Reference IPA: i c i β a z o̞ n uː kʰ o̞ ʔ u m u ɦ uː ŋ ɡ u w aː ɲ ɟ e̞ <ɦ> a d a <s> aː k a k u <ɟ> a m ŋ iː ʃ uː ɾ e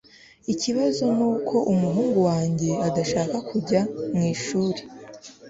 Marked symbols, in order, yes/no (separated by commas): no, no, yes